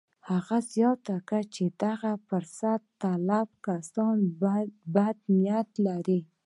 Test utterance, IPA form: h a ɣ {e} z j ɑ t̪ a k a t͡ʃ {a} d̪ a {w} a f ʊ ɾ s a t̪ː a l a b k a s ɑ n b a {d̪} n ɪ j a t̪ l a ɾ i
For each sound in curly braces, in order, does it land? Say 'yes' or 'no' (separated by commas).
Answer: no, no, no, yes